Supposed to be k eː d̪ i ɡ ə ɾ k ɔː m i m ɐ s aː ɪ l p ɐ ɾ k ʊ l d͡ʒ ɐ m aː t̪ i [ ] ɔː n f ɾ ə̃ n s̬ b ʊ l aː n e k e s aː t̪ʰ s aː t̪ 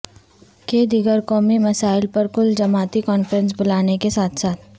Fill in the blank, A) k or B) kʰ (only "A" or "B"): A